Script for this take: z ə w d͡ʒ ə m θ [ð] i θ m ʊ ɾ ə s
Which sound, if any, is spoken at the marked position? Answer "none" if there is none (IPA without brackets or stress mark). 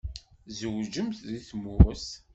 ð